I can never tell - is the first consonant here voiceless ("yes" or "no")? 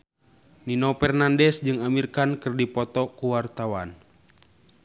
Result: no